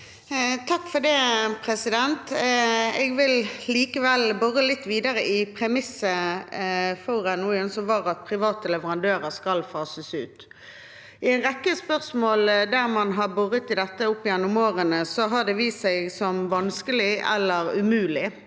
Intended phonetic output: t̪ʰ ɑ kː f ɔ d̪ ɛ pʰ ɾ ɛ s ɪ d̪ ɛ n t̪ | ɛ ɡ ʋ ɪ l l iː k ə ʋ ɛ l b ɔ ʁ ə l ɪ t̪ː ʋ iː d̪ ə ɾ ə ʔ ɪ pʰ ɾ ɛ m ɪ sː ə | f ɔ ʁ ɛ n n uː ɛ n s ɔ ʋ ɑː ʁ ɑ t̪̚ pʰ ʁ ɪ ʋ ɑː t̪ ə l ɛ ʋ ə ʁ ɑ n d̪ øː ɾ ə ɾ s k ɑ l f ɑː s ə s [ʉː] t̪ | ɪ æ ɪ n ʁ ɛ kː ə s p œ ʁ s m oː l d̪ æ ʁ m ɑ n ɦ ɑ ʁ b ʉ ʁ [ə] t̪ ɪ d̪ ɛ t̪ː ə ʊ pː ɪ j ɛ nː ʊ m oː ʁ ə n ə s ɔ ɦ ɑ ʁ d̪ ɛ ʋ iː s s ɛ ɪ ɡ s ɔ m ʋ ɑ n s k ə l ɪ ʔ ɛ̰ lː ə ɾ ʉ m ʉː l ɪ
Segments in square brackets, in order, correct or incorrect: correct, correct

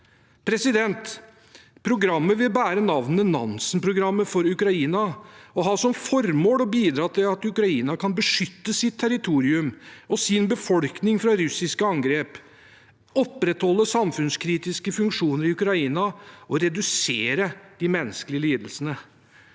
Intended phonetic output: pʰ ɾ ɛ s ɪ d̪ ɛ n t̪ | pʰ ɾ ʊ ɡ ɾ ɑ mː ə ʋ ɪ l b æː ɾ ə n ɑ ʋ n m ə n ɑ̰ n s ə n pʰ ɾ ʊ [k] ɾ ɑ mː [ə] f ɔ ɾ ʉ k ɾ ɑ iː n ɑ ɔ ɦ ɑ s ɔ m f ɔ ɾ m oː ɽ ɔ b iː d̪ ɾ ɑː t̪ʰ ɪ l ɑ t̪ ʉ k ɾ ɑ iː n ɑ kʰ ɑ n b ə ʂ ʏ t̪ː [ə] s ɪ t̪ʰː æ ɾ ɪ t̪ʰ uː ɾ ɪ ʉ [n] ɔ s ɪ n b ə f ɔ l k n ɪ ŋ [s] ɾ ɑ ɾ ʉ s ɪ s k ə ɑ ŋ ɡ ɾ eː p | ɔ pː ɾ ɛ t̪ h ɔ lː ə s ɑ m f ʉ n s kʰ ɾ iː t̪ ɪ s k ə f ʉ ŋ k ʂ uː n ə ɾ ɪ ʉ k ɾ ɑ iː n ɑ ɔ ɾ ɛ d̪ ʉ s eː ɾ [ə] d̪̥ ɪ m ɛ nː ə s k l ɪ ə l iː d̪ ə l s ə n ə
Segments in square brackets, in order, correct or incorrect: incorrect: ɡ, correct, correct, incorrect: m, incorrect: f, correct

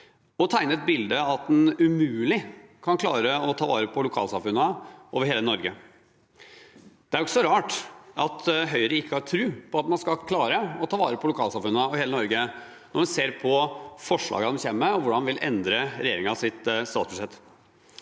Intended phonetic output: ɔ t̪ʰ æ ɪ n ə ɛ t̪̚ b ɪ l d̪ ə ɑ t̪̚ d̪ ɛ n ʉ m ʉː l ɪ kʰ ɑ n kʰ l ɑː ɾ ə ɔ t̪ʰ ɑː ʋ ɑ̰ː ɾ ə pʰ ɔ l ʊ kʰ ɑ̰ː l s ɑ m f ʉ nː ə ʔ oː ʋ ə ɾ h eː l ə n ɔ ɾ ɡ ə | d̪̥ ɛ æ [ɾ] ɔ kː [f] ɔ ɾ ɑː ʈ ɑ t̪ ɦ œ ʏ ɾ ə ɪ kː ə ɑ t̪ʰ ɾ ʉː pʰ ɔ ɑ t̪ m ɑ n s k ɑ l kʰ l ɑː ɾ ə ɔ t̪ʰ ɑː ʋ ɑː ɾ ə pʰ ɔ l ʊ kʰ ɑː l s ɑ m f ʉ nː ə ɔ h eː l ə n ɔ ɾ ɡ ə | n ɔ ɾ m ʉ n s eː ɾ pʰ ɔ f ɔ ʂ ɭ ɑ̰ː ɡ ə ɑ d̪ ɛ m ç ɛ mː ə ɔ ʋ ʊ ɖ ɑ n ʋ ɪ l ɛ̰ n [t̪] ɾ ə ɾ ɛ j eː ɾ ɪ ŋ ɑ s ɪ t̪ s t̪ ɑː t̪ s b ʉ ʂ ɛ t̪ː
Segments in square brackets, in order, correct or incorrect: correct, incorrect: s, incorrect: d̪

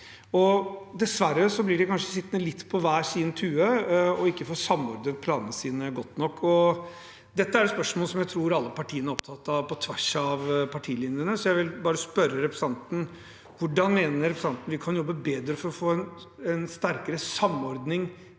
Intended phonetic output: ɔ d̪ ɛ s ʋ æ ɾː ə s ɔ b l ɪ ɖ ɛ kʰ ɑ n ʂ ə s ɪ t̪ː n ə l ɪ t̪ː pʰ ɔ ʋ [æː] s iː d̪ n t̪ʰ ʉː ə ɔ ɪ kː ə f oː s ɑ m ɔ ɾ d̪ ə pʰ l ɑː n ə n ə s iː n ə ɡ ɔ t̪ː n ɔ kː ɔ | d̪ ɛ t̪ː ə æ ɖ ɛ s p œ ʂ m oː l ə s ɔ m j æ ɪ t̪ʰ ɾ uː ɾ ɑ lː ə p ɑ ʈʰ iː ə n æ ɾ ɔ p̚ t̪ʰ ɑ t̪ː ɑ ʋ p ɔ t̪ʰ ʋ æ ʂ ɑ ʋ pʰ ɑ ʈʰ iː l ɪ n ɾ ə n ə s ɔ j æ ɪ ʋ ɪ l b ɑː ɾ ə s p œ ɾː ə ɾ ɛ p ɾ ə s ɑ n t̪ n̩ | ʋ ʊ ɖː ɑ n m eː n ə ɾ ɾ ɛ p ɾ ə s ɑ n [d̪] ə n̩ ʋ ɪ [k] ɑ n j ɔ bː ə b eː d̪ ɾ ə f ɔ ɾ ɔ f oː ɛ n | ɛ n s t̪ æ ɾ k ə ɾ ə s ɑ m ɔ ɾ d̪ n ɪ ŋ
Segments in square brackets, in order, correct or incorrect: correct, incorrect: t̪, incorrect: kʰ

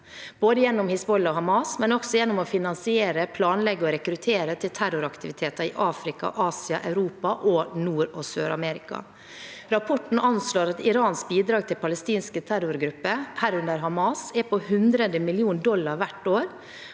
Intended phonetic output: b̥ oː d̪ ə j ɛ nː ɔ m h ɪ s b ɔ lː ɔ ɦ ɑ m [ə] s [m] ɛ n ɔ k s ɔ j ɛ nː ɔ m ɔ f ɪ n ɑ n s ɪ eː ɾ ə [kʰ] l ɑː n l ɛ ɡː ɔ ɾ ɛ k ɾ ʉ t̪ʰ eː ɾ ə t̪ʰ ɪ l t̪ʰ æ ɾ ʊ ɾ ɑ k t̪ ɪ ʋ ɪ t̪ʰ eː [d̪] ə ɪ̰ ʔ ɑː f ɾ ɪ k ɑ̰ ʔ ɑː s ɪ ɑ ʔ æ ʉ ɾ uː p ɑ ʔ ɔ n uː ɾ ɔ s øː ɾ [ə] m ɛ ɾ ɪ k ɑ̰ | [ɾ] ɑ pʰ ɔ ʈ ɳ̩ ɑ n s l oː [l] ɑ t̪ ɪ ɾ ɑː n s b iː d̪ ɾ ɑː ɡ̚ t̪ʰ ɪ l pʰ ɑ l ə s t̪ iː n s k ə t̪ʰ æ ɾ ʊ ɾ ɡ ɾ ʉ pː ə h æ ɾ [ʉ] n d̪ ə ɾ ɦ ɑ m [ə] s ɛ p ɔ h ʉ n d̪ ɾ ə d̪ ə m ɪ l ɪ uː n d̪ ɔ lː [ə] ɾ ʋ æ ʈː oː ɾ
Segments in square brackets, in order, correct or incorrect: incorrect: ɑ, correct, incorrect: pʰ, incorrect: t̪, incorrect: ɑ, correct, incorrect: ɾ, correct, incorrect: ɑ, incorrect: ɑ

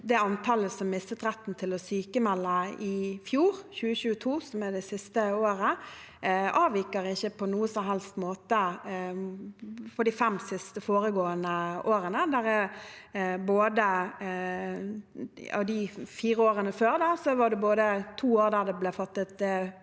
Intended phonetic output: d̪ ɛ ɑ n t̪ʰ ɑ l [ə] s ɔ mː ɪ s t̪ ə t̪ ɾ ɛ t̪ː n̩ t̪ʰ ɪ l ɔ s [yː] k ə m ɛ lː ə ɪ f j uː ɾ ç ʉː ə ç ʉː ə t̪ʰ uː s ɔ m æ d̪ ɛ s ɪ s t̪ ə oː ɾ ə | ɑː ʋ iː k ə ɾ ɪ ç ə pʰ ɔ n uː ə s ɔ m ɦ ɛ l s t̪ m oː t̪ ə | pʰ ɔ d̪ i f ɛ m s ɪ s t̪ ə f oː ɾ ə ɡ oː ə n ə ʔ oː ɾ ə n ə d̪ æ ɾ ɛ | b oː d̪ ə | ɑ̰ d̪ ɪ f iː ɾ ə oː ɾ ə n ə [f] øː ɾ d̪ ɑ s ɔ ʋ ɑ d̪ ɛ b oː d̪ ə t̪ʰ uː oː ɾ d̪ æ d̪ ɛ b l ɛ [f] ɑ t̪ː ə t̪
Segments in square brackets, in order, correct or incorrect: correct, correct, correct, correct

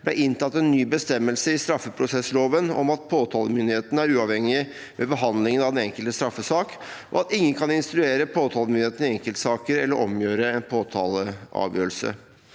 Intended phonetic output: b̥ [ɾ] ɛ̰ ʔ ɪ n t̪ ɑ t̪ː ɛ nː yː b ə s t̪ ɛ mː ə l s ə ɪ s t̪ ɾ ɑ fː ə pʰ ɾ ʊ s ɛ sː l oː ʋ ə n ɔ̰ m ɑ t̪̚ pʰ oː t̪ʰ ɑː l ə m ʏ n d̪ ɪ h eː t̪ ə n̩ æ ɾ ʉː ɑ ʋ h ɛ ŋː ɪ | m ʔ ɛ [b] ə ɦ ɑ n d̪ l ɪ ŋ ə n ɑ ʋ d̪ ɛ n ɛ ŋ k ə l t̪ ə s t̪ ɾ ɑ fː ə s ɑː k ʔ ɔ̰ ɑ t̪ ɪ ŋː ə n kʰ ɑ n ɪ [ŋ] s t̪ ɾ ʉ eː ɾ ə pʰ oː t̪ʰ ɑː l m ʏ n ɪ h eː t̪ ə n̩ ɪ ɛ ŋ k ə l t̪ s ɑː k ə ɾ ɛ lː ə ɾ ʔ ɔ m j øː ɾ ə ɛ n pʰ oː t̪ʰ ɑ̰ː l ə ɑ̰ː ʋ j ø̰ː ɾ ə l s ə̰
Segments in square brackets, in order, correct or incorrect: incorrect: l, correct, incorrect: n

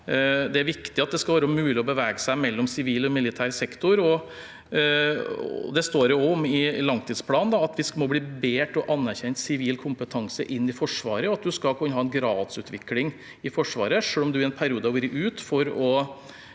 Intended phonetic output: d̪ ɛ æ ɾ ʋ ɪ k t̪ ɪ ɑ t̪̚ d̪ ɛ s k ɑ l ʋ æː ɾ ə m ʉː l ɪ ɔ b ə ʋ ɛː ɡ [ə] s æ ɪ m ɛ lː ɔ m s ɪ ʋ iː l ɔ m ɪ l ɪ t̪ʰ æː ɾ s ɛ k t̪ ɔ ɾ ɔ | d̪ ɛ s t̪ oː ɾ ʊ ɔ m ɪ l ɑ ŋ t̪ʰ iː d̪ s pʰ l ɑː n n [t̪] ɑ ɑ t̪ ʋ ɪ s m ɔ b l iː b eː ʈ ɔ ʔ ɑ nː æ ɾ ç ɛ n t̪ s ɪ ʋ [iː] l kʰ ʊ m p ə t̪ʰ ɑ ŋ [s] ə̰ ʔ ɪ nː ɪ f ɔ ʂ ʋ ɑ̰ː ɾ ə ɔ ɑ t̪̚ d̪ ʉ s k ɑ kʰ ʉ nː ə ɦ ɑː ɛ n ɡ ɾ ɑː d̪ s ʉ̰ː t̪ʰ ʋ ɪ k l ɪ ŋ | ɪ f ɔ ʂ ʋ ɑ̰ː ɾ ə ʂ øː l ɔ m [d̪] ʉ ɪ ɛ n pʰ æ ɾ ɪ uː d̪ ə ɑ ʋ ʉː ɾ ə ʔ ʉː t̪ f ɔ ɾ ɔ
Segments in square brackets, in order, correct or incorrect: correct, incorrect: d̪, correct, correct, correct

